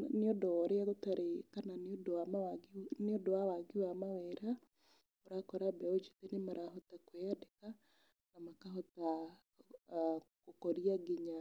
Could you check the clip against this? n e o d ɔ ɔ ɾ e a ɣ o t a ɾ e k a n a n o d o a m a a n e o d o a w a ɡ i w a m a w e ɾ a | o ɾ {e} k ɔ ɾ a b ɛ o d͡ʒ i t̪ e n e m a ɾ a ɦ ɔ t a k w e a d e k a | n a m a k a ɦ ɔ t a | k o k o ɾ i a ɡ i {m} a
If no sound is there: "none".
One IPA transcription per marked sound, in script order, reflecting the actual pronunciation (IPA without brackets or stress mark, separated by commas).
a, ɲ